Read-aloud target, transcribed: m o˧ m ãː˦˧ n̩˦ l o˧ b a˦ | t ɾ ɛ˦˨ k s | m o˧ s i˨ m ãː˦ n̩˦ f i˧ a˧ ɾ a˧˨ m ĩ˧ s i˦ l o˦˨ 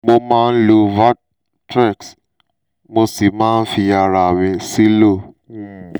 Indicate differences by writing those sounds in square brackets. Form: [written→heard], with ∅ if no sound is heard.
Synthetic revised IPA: m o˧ m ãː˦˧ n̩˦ l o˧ [b→v] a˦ | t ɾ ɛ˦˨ k s | m o˧ s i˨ m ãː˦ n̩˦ f i˧ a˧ ɾ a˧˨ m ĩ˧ s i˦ l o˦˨